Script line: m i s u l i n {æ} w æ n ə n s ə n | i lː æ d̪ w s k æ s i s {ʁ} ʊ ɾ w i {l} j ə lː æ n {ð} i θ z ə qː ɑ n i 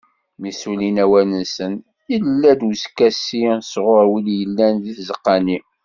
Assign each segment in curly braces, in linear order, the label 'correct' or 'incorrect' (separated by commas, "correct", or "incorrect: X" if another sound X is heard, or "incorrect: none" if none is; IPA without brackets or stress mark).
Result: correct, correct, correct, correct